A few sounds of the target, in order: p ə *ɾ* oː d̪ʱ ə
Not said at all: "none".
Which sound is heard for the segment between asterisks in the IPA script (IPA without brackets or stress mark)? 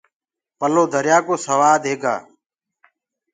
l